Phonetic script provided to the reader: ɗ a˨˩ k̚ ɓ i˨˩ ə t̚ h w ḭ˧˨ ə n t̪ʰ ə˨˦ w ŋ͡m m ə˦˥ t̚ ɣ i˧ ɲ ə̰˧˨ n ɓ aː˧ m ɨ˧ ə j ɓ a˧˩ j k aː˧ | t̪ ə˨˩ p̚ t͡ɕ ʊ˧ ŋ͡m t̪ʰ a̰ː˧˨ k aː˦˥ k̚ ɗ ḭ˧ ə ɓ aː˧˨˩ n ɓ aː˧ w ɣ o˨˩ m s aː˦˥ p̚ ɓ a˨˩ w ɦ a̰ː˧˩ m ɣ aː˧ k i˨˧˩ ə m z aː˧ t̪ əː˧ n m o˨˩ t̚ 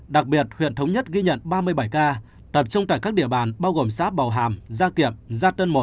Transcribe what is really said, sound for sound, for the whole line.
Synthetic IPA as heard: ɗ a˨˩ k̚ ɓ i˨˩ ə t̚ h w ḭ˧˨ ə n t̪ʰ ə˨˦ w ŋ͡m ɲ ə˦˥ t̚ ɣ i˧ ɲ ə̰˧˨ n ɓ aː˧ m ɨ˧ ə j ɓ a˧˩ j k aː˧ | t̪ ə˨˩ p̚ t͡ɕ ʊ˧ ŋ͡m t̪ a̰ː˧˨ k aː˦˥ k̚ ɗ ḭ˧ ə ɓ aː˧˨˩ n ɓ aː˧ w ɣ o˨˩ m s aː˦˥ p̚ ɓ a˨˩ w ɦ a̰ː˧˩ m z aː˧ k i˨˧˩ ə m z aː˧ t̪ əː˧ n m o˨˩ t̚